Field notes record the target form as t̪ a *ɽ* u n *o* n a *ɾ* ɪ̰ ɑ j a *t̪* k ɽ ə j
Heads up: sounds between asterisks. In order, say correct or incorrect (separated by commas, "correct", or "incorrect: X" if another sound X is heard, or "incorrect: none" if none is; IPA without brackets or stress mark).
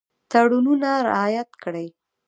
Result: correct, incorrect: u, correct, correct